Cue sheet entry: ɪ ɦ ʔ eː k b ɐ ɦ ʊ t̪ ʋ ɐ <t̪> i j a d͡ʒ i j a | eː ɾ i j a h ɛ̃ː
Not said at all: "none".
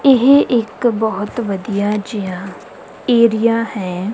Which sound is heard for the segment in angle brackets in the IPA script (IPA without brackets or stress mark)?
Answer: d̪